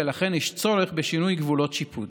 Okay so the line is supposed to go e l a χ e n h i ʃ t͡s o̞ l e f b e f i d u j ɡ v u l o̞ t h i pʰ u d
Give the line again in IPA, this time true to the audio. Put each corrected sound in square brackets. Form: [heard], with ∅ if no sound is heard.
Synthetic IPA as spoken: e l a χ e n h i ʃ t͡s o̞ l e [χ] b e [ʃ] i [n] u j ɡ v u l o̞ t [ʃ] i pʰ u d

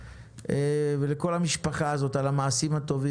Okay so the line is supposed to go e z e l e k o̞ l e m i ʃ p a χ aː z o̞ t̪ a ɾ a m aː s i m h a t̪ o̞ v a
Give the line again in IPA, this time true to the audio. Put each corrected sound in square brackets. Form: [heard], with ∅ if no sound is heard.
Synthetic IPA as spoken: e [v] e l e k o̞ l [a] m i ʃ p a χ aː z o̞ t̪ a [l] a m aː s i m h a t̪ o̞ v [i]

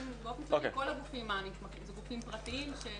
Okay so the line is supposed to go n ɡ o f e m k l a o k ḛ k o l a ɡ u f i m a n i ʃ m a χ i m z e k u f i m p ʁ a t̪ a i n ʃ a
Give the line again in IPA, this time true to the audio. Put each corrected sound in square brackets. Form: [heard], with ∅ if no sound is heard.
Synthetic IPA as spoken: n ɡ o f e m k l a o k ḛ k o l a ɡ u f i m a n i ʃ m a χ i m z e [ɡ] u f i m p ʁ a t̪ [i] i [m] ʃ [e]

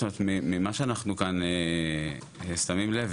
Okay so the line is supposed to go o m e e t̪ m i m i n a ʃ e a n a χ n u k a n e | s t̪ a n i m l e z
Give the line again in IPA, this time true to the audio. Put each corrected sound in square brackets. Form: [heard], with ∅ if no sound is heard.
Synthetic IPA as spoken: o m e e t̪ m i m i [m] a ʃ e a n a χ n u k a n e | s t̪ a [m] i m l e [v]

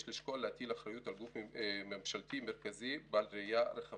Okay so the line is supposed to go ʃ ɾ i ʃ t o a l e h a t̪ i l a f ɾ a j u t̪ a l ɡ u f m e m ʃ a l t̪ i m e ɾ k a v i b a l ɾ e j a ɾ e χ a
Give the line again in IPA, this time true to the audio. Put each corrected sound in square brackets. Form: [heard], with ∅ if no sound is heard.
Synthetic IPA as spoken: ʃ [l] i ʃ [k] o a l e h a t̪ i l a [χ] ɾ a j u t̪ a l ɡ u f m e m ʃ a l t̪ i m e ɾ k a [z] i b a l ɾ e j a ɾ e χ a

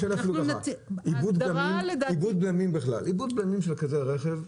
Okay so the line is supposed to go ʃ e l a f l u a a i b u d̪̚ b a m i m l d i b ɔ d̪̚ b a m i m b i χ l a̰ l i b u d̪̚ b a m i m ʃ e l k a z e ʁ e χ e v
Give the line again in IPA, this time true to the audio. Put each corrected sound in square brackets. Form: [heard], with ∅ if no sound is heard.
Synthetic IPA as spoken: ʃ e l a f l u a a i b u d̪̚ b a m i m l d i b [u] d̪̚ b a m i m b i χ l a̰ l i b u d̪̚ b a m i m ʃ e l k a z e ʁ e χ e v

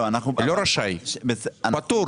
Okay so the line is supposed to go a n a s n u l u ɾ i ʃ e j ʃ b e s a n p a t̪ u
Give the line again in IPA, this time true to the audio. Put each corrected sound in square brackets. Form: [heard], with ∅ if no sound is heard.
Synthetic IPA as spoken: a n a [χ] n u l [o] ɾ [a] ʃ [a] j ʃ b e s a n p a t̪ u

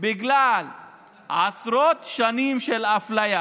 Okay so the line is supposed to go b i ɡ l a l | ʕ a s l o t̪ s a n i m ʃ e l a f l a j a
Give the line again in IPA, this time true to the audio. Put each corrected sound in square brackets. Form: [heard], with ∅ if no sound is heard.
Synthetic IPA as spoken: b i ɡ l a l | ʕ a s [ɾ] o t̪ [ʃ] a n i m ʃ e l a f l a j a

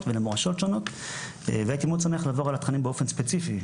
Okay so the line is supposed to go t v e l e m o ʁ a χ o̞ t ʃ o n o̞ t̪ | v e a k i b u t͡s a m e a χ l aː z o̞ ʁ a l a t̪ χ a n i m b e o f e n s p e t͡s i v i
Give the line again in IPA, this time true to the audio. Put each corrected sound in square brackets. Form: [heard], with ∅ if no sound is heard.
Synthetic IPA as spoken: t v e l e m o ʁ a [ʃ] o̞ t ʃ o n o̞ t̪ | v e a k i [m] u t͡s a m e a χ l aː [v] o̞ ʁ a l a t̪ χ a n i m b e o f e n s p e t͡s i [f] i

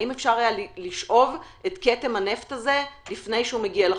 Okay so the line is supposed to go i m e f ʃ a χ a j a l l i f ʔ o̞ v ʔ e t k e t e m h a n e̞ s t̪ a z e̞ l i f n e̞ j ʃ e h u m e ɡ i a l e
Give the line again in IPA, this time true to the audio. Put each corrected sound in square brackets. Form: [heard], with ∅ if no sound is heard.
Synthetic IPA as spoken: i m e f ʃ a [ʁ] a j a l l i [ʃ] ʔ o̞ v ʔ e t k e t e m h a n e̞ [f] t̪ a z e̞ l i f n e̞ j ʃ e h u m e ɡ i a l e

